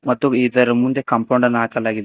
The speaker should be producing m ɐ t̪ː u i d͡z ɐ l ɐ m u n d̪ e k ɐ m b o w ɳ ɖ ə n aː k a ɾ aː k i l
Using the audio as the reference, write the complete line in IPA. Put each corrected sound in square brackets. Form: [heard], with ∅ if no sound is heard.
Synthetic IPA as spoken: m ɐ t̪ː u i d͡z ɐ [ɾ] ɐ m u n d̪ e k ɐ m [p] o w ɳ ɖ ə n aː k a [l] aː [ɡ] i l